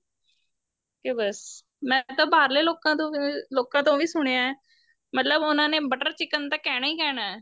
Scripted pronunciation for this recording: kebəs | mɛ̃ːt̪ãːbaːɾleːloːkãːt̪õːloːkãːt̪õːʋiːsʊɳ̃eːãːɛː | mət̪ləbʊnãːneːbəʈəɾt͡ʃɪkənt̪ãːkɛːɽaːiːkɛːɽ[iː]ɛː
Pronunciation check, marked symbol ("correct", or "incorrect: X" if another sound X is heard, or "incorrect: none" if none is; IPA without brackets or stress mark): incorrect: aː